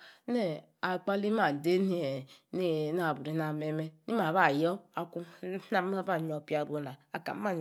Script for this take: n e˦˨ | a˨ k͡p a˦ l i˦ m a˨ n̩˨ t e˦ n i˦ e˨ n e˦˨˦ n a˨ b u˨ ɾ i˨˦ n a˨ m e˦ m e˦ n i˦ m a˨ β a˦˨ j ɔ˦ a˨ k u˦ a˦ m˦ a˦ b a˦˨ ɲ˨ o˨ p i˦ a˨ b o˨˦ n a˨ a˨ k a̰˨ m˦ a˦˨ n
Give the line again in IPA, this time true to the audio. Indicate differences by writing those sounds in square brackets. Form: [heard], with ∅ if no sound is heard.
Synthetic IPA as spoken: n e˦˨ | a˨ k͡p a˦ l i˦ m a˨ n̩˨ [d] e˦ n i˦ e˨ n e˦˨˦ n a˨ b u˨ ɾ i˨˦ n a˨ m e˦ m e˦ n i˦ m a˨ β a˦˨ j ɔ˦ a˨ k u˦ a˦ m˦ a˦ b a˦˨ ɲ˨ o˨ p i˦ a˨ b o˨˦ n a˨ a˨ k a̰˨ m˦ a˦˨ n